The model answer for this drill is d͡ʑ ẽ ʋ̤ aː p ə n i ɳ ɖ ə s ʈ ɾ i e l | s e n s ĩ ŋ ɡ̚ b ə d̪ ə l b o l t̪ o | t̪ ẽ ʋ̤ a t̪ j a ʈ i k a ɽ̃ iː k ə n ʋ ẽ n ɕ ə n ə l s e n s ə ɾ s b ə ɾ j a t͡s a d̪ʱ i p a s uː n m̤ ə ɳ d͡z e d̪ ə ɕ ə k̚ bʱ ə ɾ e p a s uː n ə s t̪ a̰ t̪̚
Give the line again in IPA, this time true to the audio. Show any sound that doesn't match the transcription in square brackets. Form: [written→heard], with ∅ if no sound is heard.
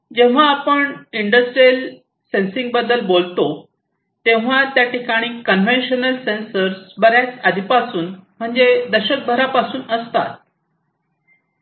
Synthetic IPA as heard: d͡ʑ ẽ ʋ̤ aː p ə [n→ɳ] i ɳ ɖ ə s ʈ ɾ i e l | s e n s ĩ ŋ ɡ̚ b ə d̪ ə l b o l t̪ o | t̪ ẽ ʋ̤ a t̪ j a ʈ i k a ɽ̃ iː k ə n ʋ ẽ n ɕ ə n ə l s e n s ə ɾ s b ə ɾ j a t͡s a d̪ʱ i p a s uː n m̤ ə ɳ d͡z e d̪ ə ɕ ə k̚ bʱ ə ɾ [e→a] p a s uː n ə s t̪ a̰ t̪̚